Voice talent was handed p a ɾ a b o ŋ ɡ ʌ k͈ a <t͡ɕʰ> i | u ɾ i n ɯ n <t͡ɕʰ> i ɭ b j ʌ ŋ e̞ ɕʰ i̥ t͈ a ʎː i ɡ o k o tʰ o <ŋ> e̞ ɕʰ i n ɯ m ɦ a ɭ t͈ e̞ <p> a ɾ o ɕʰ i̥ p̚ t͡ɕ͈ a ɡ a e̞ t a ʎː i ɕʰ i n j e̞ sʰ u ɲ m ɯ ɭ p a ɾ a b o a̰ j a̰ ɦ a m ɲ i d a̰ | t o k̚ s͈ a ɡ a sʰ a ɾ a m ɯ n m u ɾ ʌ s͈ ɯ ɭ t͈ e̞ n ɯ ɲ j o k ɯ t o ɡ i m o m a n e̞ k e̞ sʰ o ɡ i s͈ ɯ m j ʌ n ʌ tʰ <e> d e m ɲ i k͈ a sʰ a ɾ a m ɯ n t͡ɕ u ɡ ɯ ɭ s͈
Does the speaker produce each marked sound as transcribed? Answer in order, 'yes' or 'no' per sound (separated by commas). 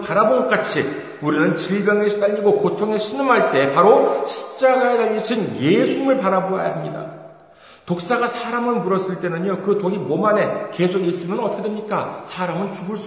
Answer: yes, no, yes, yes, yes